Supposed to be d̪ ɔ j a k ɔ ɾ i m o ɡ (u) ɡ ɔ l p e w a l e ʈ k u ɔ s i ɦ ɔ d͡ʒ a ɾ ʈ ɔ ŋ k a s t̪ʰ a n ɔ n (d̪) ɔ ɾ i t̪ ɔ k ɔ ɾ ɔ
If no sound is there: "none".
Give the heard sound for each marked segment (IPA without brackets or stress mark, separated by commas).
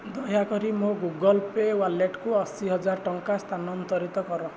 u, t̪